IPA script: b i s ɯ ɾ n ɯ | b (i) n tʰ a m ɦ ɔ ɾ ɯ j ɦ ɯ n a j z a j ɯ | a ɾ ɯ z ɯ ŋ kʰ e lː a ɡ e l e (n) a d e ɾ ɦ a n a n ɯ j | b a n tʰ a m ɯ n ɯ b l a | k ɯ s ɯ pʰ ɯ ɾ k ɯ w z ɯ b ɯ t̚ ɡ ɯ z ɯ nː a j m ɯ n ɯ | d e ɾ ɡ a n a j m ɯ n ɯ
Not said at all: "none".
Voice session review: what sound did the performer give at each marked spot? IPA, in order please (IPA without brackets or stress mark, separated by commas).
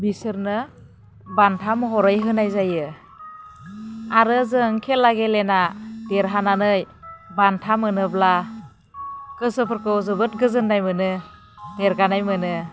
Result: a, n